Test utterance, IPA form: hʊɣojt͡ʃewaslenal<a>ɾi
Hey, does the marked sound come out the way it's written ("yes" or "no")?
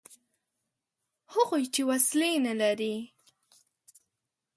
yes